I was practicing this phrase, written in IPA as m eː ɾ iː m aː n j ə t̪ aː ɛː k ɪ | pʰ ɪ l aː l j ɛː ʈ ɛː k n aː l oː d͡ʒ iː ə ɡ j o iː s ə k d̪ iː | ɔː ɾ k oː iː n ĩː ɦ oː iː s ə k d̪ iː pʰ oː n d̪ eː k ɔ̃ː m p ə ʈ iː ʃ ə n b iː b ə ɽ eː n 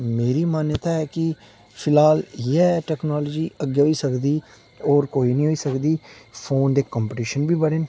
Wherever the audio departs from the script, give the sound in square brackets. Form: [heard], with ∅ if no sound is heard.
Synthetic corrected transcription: m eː ɾ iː m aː n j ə t̪ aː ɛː k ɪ | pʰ ɪ l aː l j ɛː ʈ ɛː k n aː l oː d͡ʒ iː ə ɡ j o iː s ə k d̪ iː | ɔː ɾ k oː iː n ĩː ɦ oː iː s ə k d̪ iː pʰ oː n d̪ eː k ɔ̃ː m p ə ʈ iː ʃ ə n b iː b ə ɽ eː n

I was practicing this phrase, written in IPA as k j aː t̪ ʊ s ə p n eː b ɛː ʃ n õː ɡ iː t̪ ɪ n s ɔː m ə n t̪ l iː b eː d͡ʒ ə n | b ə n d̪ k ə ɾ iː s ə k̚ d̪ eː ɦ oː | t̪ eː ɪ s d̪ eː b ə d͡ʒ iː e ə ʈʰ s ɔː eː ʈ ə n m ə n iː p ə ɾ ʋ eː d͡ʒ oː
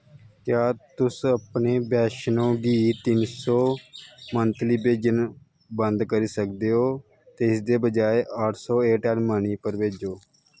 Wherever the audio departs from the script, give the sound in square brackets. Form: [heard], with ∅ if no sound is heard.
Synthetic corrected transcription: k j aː t̪ ʊ s ə p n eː b ɛː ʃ n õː ɡ iː t̪ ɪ n s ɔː m ə n t̪ l iː b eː d͡ʒ ə n | b ə n d̪ k ə ɾ iː s ə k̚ d̪ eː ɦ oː | t̪ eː ɪ s d̪ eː b ə d͡ʒ [aː] e ə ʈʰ s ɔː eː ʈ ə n m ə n iː p ə ɾ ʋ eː d͡ʒ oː

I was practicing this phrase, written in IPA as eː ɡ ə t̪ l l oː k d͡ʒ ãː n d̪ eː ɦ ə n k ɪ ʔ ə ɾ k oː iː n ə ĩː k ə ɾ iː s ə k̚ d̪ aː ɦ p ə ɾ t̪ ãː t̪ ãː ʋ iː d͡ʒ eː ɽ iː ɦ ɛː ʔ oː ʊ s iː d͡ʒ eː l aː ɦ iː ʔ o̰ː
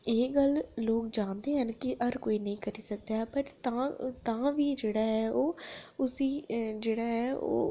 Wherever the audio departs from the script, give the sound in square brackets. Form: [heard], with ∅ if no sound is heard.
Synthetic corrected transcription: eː ɡ ə [∅] l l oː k d͡ʒ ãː n d̪ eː ɦ ə n k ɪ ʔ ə ɾ k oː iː n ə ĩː k ə ɾ iː s ə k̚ d̪ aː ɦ p ə ɾ t̪ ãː t̪ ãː ʋ iː d͡ʒ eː ɽ [aː] ɦ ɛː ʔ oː ʊ s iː d͡ʒ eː [ɽ] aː ɦ [ɛː] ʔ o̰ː

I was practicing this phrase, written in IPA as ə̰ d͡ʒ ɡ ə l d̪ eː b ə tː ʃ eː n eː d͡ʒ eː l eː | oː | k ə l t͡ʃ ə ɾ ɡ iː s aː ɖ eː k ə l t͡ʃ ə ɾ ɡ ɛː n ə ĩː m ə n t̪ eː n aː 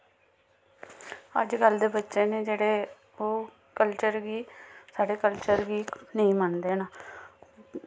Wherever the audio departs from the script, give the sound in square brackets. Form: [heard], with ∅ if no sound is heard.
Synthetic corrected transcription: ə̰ d͡ʒ ɡ ə l d̪ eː b ə tː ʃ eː n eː d͡ʒ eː [ɽ] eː | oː | k ə l t͡ʃ ə ɾ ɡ iː s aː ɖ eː k ə l t͡ʃ ə ɾ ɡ [iː] n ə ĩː m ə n [d̪] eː n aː

